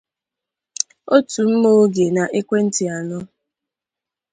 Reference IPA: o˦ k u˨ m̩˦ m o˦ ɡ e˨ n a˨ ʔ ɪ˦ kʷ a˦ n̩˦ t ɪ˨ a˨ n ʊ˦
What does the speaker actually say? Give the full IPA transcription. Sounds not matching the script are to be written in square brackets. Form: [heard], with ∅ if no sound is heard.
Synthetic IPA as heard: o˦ [t] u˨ m̩˦ m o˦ ɡ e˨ n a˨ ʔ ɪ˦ kʷ [e˦] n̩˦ t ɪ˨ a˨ n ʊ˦